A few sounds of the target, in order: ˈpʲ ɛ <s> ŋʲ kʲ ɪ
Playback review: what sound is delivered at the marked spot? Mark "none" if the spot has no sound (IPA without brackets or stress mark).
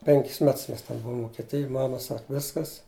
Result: none